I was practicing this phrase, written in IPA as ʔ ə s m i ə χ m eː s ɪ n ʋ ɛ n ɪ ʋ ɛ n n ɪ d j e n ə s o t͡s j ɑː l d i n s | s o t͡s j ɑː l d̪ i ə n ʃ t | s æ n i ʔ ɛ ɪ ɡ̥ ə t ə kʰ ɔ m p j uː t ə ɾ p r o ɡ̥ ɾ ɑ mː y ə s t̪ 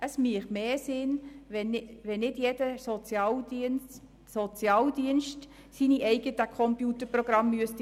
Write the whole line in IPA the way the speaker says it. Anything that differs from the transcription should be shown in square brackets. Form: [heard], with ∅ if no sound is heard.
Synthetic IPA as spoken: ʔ ə s m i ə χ m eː s ɪ n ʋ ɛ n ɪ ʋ ɛ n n ɪ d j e [d] ə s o t͡s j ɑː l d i n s | s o t͡s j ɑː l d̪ i ə n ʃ t | s [i] n i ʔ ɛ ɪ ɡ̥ ə t ə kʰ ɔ m p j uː t ə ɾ p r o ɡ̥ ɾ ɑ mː y ə s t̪